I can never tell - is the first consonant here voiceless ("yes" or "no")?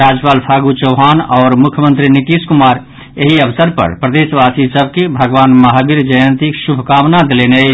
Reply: no